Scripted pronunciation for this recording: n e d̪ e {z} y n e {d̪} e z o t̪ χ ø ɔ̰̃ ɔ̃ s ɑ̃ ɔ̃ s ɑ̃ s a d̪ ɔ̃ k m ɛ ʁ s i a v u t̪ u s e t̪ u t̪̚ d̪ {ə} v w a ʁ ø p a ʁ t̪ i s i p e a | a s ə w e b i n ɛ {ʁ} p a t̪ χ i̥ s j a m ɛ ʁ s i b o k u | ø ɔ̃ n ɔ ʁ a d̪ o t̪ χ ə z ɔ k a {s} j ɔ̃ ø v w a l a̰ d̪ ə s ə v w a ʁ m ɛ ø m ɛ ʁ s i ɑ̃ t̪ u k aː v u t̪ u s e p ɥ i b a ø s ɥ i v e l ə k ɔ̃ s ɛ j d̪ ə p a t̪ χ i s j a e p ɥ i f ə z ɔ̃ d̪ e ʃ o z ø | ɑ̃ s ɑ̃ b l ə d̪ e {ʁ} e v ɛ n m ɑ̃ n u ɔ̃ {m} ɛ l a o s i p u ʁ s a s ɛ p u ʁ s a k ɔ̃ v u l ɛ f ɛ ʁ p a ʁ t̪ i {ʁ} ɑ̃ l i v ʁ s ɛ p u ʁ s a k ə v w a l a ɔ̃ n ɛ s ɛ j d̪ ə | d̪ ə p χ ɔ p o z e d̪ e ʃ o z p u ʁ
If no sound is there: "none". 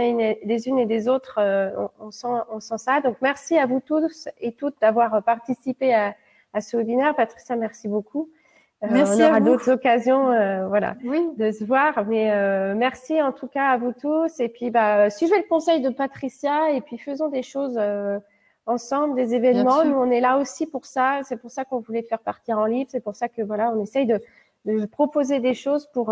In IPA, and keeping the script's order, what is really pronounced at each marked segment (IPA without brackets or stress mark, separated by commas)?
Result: z, d̪, a, ʁ, z, z, n, ʁ